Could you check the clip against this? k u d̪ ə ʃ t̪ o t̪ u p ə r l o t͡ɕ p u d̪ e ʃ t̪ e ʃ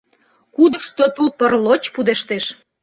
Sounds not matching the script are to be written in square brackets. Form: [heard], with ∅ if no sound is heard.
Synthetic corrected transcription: k u d̪ ə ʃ t̪ o t̪ u p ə r l o t͡ɕ p u d̪ e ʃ t̪ e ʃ

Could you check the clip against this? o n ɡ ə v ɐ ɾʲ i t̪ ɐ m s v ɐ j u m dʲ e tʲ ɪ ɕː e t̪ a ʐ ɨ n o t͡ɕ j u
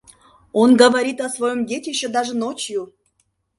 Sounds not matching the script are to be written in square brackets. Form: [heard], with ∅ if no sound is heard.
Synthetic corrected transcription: o n ɡ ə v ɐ ɾʲ i t̪ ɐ [∅] s v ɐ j [o] m dʲ e tʲ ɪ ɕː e [d̪] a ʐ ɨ n o t͡ɕ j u

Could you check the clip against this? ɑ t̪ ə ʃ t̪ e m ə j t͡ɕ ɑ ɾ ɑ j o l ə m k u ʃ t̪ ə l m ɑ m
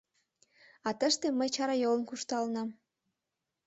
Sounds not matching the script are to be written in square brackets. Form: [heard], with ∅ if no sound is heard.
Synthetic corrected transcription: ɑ t̪ ə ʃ t̪ e m ə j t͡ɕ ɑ ɾ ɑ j o l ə [n] k u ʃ t̪ [ɑ] l [n] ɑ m

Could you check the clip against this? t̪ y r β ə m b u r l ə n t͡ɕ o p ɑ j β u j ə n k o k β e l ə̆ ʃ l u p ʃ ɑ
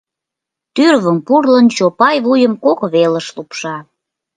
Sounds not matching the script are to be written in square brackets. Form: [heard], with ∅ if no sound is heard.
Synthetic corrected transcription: t̪ y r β ə m [p] u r l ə n t͡ɕ o p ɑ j β u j ə [m] k o k β e l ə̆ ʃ l u p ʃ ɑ

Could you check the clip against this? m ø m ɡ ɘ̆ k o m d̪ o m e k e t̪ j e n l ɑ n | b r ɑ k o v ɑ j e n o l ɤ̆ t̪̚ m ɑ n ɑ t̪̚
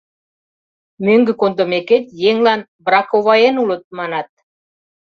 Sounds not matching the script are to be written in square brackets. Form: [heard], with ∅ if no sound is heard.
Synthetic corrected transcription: m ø [ŋ] ɡ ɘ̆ k o [n] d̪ o m e k e t̪ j e [ŋ] l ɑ n | b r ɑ k o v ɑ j e n [u] l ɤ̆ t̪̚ m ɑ n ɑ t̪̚

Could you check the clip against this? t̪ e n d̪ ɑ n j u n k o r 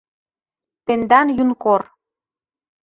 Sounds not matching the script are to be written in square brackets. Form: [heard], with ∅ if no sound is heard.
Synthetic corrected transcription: t̪ e n d̪ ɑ n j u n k o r

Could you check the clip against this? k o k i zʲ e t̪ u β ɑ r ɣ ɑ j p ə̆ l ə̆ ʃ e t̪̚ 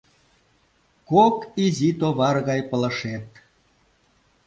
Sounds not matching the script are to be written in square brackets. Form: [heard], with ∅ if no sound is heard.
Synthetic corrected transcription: k o k i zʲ [i] t̪ [o] β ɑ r ɣ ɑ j p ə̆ l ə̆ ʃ e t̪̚

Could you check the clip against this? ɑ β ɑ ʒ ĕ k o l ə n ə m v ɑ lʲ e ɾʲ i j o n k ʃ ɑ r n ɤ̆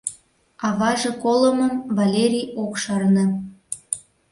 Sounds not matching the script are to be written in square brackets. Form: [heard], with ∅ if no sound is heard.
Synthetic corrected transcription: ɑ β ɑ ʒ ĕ k o l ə [m] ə m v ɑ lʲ e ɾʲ i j o [∅] k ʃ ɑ r n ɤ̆

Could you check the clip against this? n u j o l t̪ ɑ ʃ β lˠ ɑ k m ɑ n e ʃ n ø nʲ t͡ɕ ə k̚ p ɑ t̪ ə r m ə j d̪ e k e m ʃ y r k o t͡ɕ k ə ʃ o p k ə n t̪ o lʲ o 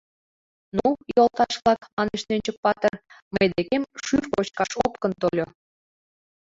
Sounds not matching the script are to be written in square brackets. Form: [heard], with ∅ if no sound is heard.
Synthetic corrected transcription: n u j o l t̪ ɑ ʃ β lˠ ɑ k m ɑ n e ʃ n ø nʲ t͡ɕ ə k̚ p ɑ t̪ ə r m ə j d̪ e k e m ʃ y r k o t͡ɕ k [ɑ] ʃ o p k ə n t̪ o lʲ o

